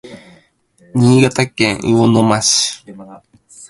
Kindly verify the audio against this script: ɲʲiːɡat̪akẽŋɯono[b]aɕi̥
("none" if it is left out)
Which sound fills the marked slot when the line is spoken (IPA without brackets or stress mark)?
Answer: m